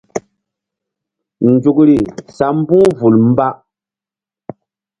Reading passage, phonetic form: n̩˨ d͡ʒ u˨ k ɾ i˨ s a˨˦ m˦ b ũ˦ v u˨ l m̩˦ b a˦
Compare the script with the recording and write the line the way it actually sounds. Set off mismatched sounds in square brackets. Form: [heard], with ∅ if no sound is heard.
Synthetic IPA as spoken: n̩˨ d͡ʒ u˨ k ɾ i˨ s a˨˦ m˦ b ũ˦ v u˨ l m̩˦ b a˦